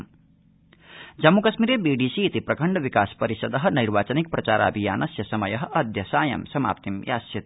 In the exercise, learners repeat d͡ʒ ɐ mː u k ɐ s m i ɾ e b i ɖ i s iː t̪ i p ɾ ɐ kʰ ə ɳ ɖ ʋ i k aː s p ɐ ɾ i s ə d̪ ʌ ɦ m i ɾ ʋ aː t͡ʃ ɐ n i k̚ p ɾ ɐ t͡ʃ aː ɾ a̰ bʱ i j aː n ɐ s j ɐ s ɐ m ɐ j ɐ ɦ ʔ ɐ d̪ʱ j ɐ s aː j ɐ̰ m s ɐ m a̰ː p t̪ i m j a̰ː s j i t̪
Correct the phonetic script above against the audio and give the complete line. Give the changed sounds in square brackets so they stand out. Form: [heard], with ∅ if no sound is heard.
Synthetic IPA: d͡ʒ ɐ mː u k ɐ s m i ɾ e b i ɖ i s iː t̪ i p ɾ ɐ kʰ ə ɳ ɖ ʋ i k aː s p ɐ ɾ i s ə d̪ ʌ ɦ [n] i ɾ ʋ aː t͡ʃ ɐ n i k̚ p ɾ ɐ t͡ʃ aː ɾ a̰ bʱ i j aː n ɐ s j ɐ s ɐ m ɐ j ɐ ɦ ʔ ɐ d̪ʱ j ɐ s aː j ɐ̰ m s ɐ m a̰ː p t̪ i m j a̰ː s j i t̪

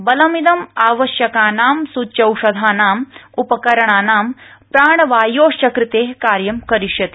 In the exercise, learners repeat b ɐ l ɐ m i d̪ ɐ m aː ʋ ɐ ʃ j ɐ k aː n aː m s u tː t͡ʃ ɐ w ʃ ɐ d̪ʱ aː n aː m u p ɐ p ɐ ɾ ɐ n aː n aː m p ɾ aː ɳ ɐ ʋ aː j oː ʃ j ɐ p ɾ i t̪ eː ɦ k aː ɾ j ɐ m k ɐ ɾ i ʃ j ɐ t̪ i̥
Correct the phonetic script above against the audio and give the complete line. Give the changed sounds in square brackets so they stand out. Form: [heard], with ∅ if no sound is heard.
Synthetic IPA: b ɐ l ɐ m i d̪ ɐ m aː ʋ ɐ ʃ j ɐ k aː n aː m s u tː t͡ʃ ɐ w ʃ ɐ d̪ʱ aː n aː m u p ɐ [k] ɐ ɾ ɐ [ɳ] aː n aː m p ɾ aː ɳ ɐ ʋ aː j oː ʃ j ɐ [k] ɾ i t̪ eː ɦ k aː ɾ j ɐ m k ɐ ɾ i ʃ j ɐ t̪ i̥

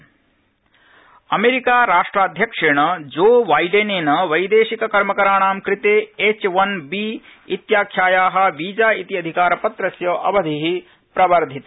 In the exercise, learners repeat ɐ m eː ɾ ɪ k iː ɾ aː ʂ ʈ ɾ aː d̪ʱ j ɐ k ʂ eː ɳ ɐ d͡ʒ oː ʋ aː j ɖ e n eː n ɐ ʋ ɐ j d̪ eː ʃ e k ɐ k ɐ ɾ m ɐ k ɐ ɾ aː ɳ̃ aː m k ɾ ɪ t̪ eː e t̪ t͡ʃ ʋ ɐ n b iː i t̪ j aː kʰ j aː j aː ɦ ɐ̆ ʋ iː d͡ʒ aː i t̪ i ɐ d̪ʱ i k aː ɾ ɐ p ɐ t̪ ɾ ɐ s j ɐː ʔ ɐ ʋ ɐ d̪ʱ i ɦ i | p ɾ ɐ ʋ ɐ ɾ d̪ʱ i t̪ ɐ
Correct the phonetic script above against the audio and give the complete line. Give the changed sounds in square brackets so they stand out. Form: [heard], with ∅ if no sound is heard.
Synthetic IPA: ɐ m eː ɾ [i] k [aː] ɾ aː ʂ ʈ ɾ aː d̪ʱ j ɐ k ʂ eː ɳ ɐ d͡ʒ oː ʋ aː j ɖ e n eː n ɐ ʋ ɐ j d̪ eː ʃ [i] k ɐ k ɐ ɾ m ɐ k ɐ ɾ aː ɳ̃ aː m k ɾ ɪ t̪ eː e [∅] t͡ʃ ʋ ɐ n b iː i t̪ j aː kʰ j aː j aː ɦ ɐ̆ ʋ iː d͡ʒ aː i t̪ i ɐ d̪ʱ i k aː ɾ ɐ p ɐ t̪ ɾ ɐ s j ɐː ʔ ɐ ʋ ɐ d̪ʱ i ɦ i | p ɾ ɐ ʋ ɐ ɾ d̪ʱ i t̪ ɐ

